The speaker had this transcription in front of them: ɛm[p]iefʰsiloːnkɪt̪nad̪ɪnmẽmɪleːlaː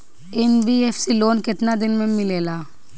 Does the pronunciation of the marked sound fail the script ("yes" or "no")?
yes